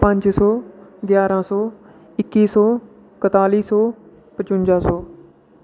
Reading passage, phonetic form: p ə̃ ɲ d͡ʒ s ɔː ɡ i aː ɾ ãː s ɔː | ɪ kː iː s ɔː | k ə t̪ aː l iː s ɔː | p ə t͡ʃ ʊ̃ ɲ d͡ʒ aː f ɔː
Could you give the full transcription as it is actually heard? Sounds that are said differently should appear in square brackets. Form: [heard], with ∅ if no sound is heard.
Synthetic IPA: p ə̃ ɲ d͡ʒ s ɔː ɡ [j] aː ɾ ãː s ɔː | ɪ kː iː s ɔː | k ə t̪ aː l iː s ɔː | p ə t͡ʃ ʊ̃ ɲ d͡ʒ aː [s] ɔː